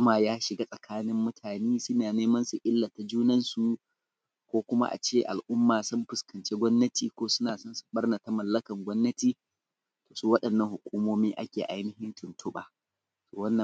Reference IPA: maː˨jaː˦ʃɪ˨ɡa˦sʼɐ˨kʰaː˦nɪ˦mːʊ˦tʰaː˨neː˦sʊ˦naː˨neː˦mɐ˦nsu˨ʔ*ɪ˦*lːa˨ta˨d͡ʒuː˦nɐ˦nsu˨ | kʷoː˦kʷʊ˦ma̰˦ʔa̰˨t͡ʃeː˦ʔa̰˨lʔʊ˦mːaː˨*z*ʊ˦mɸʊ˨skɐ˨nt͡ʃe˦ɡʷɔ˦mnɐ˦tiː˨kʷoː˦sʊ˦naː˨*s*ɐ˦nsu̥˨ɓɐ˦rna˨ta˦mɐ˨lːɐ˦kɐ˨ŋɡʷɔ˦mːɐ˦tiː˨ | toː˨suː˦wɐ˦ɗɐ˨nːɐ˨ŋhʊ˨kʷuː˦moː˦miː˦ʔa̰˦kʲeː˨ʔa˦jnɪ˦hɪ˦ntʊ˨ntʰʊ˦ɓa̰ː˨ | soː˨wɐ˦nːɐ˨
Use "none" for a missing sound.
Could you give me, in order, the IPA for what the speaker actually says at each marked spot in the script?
ɪ˦, s, s

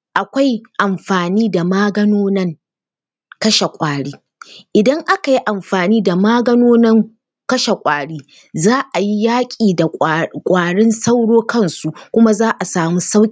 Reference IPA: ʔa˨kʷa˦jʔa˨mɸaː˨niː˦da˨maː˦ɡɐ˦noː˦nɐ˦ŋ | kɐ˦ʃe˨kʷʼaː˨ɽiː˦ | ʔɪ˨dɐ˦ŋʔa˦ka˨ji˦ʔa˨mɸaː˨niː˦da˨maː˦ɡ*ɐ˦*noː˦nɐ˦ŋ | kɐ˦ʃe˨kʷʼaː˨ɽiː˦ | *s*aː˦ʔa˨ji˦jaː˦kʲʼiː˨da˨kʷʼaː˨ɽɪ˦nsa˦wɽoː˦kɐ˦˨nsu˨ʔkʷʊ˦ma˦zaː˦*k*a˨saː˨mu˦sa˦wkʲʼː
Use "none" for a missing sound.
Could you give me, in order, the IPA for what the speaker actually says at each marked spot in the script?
ɐ˦, z, ʔ

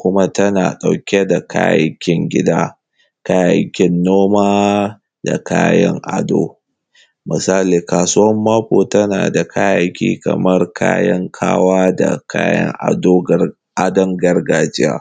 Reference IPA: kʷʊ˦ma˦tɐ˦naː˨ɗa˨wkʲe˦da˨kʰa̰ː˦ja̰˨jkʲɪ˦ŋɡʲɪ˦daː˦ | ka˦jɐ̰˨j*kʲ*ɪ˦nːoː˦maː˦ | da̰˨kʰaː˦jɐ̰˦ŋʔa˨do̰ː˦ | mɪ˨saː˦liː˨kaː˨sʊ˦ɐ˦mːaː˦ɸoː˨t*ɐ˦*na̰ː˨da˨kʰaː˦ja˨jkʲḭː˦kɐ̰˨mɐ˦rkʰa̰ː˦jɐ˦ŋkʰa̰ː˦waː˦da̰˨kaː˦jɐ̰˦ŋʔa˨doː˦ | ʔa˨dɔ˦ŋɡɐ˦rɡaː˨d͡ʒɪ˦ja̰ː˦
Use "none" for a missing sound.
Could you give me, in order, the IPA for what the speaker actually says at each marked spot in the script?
kʲ, ɐ˦

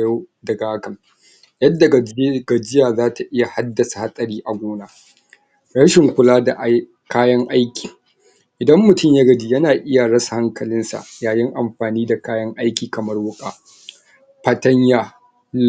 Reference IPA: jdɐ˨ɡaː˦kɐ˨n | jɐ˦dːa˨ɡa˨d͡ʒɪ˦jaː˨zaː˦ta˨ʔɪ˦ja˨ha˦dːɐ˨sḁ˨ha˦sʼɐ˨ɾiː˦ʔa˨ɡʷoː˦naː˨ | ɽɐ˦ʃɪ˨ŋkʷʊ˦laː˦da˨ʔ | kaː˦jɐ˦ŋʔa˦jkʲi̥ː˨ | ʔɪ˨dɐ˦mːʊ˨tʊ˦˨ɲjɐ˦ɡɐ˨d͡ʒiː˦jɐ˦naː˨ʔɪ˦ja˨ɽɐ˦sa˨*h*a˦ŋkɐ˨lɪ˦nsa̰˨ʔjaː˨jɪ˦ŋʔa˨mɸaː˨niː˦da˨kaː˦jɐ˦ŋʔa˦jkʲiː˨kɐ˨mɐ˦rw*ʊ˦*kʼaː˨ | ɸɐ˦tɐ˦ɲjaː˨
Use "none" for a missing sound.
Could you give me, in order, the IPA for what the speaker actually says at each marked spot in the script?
h, ʊ˦

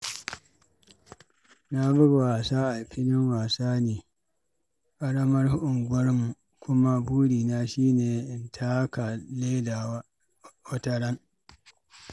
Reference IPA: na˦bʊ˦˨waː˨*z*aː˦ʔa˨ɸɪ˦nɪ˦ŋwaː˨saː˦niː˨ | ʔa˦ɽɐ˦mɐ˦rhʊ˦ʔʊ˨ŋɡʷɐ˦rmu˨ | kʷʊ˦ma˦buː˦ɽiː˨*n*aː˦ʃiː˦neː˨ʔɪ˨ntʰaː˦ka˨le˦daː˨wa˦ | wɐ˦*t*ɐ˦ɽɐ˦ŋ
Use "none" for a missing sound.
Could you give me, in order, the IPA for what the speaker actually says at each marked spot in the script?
s, n, t

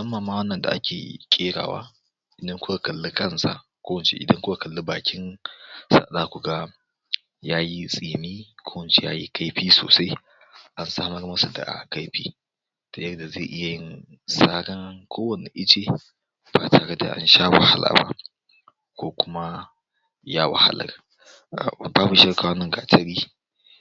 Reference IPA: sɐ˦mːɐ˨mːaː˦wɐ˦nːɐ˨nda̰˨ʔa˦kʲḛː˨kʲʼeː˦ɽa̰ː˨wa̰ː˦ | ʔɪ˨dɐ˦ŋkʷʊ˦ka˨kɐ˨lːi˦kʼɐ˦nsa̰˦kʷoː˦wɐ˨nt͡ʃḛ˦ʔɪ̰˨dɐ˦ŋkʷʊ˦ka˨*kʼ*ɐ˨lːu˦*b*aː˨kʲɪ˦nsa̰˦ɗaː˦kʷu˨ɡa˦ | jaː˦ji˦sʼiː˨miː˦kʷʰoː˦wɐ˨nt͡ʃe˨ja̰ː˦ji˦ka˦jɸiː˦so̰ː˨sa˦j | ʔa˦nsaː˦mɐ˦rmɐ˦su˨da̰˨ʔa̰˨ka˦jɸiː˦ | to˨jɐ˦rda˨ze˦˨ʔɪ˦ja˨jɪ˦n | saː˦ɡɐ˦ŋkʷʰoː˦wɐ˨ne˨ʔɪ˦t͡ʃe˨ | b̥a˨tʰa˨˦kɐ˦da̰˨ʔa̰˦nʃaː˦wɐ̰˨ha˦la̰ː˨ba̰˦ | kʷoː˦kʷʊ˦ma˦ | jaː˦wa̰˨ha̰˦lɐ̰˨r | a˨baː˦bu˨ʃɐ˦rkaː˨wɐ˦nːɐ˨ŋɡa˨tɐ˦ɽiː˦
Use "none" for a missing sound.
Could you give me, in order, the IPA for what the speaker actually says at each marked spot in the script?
k, b

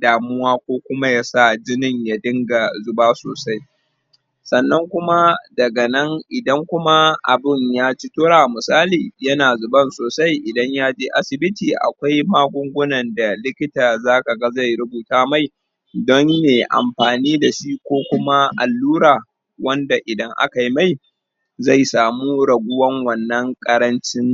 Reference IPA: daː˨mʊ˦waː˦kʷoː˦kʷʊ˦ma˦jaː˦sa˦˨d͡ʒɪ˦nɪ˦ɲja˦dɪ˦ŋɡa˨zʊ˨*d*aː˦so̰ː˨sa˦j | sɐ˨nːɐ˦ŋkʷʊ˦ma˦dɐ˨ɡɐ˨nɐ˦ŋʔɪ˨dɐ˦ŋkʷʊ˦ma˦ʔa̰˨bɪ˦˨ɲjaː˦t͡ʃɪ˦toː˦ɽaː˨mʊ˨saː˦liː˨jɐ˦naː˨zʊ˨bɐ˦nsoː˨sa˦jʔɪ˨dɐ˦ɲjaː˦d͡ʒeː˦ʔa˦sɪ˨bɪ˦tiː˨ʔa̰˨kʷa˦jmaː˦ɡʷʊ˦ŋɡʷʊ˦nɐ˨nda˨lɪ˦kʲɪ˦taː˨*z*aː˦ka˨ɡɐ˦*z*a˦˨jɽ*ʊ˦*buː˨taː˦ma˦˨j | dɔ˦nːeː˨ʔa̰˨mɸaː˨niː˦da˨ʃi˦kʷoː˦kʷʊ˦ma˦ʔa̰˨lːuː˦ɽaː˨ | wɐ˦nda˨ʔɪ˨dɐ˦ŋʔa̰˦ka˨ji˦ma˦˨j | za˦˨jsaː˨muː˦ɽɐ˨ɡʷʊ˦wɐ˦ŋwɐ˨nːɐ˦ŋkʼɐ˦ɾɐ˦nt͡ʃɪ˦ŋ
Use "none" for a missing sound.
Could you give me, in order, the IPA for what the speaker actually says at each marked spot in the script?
b, z, z, ʊ˦

